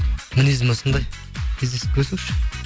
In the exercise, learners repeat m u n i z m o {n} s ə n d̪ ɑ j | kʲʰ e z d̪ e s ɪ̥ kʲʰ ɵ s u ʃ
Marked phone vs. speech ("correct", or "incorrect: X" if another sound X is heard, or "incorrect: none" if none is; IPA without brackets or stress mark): incorrect: none